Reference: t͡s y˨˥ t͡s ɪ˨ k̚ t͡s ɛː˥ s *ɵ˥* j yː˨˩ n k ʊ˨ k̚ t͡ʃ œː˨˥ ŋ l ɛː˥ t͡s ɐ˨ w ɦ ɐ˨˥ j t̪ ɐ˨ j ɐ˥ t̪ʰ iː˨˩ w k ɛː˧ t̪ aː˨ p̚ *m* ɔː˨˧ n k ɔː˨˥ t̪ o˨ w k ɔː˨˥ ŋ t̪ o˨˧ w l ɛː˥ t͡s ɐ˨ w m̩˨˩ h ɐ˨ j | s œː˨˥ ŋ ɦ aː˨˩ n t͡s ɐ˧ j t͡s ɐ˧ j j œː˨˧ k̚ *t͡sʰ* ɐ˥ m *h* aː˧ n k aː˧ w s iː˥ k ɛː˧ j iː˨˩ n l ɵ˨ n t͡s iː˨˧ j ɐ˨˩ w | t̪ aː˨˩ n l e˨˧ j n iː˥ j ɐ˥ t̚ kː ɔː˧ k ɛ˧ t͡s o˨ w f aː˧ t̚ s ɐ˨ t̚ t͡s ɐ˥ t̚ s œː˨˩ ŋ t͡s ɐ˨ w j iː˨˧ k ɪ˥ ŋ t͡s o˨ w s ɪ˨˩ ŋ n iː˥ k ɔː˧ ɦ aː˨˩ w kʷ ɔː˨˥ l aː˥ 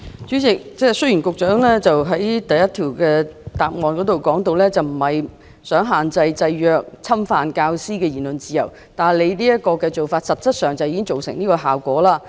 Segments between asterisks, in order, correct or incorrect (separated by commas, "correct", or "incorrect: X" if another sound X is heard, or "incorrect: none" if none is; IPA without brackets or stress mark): correct, incorrect: ŋ, correct, incorrect: f